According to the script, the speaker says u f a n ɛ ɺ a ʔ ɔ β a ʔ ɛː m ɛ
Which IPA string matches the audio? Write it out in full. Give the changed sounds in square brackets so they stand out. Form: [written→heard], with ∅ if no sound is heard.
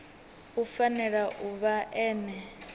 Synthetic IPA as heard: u f a n ɛ ɺ a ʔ [ɔ→u] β a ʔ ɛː [m→n] ɛ